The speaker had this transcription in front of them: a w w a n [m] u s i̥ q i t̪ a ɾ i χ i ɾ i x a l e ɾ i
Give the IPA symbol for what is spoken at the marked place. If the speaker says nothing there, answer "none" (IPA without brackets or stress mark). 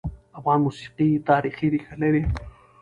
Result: m